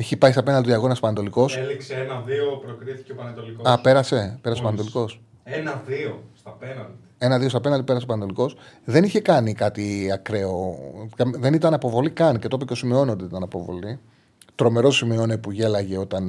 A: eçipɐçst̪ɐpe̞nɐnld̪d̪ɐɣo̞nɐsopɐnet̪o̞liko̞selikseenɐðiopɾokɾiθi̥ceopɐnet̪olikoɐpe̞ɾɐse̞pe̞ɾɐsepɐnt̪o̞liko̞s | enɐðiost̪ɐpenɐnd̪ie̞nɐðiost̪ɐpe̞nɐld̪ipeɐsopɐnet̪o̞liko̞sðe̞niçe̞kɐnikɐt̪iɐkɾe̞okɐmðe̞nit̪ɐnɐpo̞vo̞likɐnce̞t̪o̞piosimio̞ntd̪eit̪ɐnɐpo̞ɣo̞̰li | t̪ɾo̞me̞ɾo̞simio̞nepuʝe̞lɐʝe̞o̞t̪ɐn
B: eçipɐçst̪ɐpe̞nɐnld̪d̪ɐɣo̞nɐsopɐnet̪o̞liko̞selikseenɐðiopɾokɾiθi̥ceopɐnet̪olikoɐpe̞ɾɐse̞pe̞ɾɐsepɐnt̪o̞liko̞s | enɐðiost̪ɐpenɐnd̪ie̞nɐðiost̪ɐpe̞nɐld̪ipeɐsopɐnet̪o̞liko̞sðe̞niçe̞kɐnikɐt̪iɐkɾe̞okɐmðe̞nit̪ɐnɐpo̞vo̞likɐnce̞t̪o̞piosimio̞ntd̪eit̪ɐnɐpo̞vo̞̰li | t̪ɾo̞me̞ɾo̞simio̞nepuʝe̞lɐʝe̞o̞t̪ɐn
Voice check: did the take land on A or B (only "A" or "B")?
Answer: B